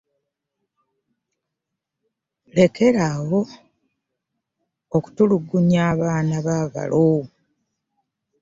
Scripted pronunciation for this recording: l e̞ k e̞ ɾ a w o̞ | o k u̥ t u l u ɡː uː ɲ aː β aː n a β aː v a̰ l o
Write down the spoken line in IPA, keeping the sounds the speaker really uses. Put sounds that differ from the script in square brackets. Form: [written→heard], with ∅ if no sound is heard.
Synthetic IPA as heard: l e̞ k e̞ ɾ a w o̞ | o k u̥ t u l u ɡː [uː→u] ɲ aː β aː n a β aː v a̰ l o